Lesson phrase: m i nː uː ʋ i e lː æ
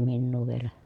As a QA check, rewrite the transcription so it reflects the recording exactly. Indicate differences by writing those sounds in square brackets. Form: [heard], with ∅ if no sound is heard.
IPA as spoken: m i nː uː ʋ i e [l] æ